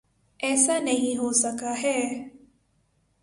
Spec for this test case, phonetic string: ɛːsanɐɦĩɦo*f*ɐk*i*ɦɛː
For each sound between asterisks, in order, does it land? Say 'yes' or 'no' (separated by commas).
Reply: no, no